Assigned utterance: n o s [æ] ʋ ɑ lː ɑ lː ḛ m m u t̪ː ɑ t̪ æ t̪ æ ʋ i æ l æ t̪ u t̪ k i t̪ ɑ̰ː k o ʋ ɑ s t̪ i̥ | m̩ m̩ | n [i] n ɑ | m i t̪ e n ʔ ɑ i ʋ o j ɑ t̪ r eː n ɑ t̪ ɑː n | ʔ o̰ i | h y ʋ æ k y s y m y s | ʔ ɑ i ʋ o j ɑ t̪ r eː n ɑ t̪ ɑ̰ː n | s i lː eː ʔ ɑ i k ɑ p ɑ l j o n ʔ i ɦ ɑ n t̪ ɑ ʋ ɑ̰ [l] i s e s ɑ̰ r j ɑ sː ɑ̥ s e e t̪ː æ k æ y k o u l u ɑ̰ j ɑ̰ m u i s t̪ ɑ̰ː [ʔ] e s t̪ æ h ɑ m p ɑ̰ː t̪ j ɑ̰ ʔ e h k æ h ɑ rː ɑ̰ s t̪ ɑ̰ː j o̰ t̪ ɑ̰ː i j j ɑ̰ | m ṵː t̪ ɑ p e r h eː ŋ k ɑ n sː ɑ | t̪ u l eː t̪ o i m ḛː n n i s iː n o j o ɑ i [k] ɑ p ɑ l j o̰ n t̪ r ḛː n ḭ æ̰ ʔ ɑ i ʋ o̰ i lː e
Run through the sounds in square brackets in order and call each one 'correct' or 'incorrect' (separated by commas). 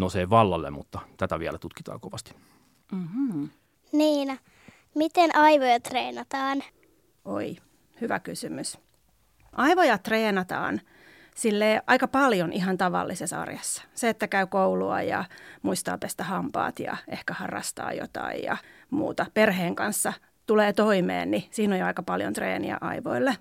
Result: incorrect, incorrect, incorrect, incorrect, correct